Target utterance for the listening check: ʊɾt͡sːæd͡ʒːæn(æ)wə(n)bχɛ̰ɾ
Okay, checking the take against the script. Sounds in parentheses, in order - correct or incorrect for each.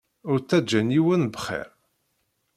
incorrect, correct

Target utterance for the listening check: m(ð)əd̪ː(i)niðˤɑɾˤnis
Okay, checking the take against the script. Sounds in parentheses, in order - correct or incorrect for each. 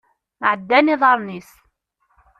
incorrect, incorrect

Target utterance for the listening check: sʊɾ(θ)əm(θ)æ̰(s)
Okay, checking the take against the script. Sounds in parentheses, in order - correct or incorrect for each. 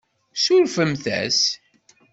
incorrect, correct, correct

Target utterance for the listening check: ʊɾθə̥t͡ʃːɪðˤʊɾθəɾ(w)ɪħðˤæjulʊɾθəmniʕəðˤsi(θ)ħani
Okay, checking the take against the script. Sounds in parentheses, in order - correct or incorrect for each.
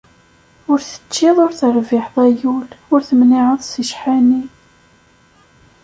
incorrect, incorrect

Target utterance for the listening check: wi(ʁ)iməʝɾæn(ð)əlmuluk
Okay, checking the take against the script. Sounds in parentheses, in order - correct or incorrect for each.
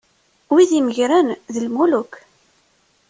incorrect, correct

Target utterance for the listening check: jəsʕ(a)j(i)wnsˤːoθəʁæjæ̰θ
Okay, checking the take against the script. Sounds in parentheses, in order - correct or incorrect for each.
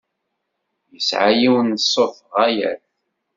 correct, correct

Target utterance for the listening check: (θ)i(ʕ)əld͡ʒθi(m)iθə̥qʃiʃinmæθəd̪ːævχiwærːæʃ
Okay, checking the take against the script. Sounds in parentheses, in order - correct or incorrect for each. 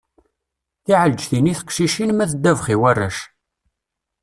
correct, correct, incorrect

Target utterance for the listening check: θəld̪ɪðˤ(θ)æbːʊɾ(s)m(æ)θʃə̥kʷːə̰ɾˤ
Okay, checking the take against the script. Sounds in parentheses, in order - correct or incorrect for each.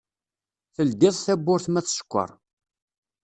correct, incorrect, correct

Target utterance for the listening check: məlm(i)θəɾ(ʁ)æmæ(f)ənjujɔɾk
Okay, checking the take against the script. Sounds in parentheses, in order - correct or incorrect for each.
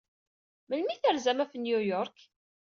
correct, incorrect, correct

